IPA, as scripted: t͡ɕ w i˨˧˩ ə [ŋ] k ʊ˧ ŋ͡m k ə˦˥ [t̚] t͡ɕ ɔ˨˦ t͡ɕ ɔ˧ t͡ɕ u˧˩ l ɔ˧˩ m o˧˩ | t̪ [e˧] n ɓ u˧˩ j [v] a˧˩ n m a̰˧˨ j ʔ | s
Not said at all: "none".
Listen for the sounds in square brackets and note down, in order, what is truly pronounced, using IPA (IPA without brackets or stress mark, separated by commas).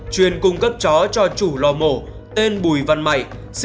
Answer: n, p̚, e˧, v